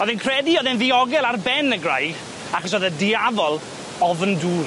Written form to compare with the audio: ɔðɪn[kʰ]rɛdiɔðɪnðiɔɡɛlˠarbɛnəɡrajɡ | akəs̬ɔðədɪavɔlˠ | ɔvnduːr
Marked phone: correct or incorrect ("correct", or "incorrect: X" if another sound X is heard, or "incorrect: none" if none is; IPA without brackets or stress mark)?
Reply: correct